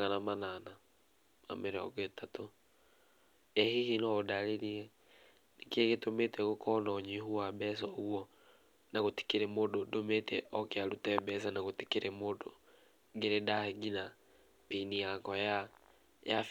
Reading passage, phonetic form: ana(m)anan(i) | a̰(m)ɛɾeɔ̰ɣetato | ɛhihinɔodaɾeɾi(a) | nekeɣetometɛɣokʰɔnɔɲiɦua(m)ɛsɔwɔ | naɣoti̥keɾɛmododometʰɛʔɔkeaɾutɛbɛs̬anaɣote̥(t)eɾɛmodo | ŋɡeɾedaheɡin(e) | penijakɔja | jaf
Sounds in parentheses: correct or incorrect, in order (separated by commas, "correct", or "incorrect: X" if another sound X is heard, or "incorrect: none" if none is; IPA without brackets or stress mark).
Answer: correct, incorrect: a, correct, incorrect: ɛ, incorrect: b, incorrect: k, incorrect: a